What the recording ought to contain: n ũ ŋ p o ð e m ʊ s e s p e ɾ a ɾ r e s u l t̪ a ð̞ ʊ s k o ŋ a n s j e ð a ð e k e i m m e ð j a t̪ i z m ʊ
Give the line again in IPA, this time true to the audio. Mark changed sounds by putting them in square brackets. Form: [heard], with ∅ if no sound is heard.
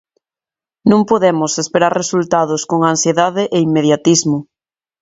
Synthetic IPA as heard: n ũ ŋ p o ð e m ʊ s e s p e ɾ a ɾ r e s u l t̪ a ð̞ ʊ s k o ŋ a n s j e ð a ð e [ʔ] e i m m e ð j a t̪ i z m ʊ